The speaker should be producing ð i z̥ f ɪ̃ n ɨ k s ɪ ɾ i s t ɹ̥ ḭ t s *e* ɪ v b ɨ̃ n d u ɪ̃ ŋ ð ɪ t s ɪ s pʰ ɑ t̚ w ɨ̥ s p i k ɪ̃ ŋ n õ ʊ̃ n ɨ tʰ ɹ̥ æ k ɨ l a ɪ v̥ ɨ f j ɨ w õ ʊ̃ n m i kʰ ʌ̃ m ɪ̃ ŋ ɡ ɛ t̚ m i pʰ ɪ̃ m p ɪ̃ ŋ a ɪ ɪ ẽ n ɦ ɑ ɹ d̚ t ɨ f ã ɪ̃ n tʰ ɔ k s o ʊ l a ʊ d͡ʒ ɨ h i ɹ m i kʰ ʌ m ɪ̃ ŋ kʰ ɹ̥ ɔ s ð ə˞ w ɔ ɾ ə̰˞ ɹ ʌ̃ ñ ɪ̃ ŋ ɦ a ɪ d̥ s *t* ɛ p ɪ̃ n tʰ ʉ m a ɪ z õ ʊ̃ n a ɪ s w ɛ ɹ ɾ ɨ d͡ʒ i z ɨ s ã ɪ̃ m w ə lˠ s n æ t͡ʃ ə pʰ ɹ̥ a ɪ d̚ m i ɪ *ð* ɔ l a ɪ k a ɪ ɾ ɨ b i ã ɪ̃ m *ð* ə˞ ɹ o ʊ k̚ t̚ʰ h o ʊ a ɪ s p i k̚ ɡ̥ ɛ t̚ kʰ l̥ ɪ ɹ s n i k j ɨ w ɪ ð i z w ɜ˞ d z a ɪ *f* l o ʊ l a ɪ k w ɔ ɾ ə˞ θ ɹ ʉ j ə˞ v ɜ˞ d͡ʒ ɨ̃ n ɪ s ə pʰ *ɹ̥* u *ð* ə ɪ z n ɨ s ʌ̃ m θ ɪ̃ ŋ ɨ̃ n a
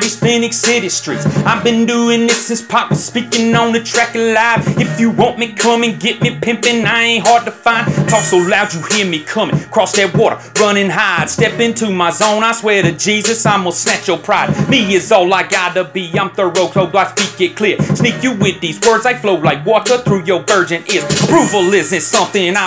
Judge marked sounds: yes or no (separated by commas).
no, yes, no, no, yes, yes, no